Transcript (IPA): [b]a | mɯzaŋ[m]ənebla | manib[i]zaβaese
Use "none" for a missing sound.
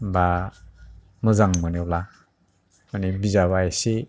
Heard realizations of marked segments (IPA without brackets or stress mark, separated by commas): b, m, i